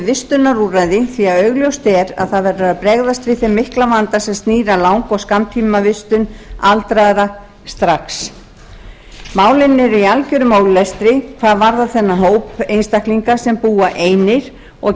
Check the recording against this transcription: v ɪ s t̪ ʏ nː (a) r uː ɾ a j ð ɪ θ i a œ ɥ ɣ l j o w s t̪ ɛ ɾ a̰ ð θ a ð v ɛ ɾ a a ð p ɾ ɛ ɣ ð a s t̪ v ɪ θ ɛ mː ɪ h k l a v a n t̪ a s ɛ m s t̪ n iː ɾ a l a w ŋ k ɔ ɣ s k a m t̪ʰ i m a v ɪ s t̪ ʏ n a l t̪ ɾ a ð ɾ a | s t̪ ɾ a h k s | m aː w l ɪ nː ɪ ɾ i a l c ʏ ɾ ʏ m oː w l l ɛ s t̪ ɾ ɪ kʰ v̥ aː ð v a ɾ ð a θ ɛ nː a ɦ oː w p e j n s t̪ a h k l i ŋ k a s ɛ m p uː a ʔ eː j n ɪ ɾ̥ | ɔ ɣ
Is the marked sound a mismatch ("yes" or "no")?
no